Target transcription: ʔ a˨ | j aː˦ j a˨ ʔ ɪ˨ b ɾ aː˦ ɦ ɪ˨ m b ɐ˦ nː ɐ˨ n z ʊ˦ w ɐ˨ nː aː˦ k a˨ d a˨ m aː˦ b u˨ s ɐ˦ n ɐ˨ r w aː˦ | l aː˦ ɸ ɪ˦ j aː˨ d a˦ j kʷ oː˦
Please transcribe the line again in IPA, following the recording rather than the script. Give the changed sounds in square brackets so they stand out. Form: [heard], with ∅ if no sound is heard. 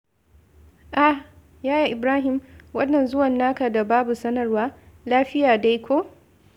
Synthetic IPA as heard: ʔ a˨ | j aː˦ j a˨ ʔ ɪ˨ b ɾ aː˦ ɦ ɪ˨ m [w] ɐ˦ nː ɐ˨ n z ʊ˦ w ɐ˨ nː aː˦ k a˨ d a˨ [b] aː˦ b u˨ s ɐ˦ n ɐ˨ r w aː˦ | l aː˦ ɸ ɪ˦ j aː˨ d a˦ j kʷ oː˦